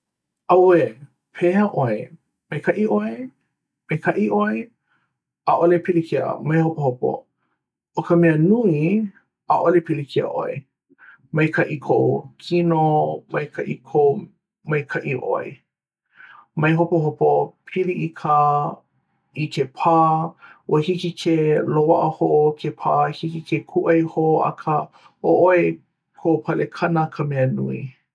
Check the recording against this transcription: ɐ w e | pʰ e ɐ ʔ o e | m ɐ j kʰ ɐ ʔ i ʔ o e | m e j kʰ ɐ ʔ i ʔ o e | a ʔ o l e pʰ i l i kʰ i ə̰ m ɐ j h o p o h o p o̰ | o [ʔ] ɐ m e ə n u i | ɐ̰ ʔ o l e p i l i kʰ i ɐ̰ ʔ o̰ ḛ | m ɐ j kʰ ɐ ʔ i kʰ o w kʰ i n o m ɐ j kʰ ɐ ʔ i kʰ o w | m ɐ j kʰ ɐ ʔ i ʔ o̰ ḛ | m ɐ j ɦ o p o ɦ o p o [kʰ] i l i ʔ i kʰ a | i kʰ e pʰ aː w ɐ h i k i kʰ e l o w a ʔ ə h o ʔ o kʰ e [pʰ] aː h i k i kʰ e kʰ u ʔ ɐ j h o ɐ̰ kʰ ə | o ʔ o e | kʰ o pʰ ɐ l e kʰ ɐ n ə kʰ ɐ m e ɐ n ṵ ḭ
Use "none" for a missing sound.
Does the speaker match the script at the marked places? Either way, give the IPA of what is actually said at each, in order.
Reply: k, pʰ, pʰ

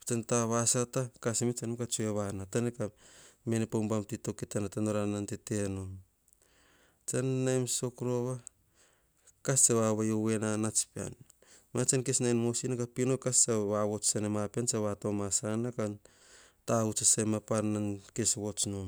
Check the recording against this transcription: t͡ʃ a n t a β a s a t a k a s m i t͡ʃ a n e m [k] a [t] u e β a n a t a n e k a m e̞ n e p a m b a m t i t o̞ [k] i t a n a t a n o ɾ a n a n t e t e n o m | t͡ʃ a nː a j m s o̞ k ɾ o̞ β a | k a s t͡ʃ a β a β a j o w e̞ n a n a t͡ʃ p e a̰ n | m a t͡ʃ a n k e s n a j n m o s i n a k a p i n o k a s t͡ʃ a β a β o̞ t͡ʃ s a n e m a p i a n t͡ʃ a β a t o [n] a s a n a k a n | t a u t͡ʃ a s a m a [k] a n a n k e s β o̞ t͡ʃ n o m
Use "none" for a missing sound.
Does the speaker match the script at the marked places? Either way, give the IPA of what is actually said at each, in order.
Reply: k, t͡ʃ, k, m, p

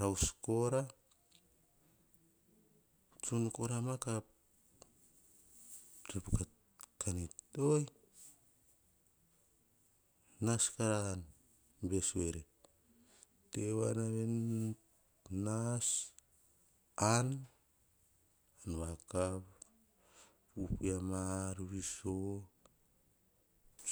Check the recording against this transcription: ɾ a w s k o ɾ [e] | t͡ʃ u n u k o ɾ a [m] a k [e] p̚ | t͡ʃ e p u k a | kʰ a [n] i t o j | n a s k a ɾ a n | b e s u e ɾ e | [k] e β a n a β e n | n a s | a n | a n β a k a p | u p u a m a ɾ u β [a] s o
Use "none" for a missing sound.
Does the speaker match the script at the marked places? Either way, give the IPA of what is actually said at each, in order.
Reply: a, m, a, n, t, i

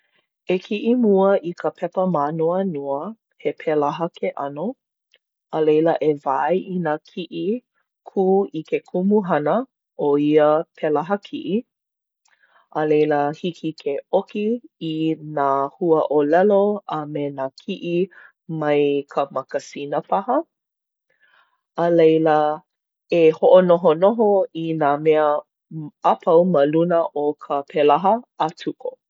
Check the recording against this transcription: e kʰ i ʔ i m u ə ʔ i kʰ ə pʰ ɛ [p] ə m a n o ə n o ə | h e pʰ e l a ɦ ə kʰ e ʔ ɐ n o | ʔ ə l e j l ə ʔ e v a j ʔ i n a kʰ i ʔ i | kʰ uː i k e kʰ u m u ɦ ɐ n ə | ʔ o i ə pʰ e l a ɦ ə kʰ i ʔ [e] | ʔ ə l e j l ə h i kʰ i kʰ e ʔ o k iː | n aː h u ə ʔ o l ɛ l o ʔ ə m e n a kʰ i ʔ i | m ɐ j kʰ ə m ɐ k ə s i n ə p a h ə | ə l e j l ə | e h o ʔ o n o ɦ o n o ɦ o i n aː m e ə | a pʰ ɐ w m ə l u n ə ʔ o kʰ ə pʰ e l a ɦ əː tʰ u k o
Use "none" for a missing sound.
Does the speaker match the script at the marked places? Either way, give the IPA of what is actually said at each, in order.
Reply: p, i

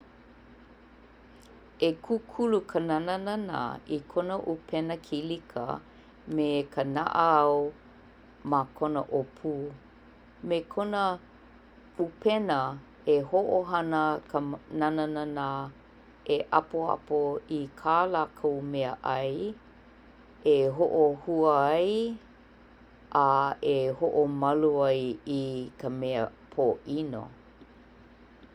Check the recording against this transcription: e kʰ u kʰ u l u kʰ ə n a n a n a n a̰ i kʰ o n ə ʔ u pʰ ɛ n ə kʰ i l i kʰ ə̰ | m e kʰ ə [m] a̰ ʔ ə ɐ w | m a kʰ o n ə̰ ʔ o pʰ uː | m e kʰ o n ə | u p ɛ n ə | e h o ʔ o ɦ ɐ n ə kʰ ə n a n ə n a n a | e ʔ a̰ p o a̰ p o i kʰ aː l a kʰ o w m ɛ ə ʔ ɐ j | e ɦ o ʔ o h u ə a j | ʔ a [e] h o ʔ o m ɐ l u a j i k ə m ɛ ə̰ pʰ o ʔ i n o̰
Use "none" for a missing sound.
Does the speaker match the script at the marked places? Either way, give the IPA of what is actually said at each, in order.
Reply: n, e

